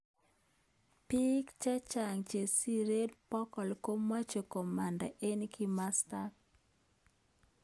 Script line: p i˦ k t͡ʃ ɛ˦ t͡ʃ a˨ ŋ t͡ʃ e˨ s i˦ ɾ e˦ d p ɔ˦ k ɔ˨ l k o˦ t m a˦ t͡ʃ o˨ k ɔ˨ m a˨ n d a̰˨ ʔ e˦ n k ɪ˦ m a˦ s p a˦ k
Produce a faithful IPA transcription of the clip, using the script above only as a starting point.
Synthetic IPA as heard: p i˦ k t͡ʃ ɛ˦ t͡ʃ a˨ ŋ t͡ʃ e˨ s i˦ ɾ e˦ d p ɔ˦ k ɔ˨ l k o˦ m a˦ t͡ʃ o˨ k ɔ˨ m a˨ n d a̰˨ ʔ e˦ n k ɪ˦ m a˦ s t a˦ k